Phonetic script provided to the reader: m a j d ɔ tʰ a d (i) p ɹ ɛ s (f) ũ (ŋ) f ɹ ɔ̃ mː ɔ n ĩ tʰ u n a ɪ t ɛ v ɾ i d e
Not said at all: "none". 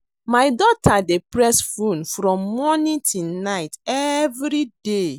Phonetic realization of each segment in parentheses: e, f, n

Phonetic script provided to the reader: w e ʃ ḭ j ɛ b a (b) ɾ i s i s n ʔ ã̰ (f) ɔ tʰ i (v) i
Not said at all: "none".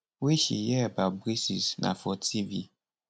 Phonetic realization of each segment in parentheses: b, f, v

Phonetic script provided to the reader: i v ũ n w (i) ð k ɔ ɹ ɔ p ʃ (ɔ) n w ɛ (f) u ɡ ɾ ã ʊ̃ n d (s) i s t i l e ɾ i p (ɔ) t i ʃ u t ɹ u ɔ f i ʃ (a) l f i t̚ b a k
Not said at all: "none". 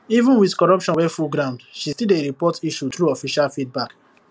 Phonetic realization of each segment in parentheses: i, ɔ̃, f, ʃ, ɔ, a

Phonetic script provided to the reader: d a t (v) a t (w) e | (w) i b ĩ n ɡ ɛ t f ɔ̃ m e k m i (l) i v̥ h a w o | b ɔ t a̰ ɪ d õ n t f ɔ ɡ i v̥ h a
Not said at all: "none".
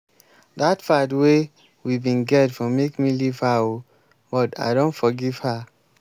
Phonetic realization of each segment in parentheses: f, w, w, l

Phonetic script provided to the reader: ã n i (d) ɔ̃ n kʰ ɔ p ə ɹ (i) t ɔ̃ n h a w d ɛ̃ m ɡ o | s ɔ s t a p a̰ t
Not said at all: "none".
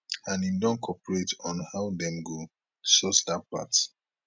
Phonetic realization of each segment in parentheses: d, e

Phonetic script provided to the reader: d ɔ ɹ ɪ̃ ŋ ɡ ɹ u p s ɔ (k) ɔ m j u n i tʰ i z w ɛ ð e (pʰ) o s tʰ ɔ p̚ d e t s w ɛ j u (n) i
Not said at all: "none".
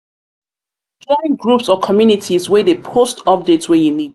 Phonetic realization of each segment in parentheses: kʰ, pʰ, n

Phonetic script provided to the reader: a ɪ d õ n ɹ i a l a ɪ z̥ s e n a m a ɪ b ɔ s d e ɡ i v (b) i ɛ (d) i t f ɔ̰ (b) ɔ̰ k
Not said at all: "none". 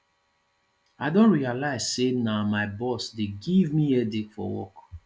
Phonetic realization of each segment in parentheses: m, d, w

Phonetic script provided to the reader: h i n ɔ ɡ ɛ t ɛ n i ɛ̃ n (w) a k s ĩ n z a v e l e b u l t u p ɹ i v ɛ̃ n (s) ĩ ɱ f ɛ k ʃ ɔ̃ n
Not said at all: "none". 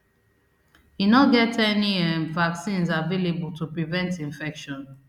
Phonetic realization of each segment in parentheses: v, t

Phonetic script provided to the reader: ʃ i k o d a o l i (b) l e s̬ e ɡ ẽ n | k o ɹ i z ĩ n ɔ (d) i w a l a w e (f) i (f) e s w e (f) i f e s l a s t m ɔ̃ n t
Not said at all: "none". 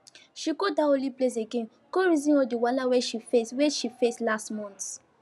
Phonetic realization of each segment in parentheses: p, d, ʃ, f, ʃ

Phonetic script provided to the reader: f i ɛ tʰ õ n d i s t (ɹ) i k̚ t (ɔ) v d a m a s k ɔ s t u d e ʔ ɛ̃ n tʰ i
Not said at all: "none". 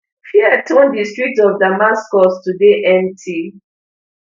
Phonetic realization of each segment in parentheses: ɹ, ɔ

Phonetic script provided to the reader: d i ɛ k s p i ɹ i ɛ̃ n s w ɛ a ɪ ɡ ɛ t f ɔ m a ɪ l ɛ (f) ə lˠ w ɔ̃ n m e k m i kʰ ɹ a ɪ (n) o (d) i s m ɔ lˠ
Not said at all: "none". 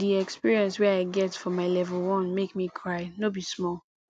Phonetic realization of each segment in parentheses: v, n, b

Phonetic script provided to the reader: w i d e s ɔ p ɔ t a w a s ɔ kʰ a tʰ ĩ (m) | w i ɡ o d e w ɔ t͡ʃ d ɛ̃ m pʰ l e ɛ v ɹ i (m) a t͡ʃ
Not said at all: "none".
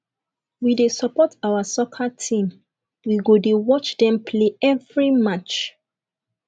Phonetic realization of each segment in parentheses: m, m

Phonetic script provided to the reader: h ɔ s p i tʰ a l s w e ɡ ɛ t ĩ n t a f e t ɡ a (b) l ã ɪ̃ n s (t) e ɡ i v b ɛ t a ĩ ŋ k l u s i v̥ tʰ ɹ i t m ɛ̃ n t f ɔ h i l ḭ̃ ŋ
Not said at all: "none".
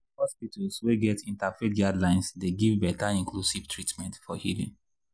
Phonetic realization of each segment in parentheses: d, d

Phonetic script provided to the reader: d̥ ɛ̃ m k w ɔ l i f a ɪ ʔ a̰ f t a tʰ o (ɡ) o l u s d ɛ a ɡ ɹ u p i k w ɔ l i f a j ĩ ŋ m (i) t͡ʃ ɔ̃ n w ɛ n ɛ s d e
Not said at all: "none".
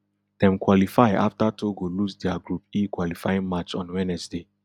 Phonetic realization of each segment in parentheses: ɡ, a

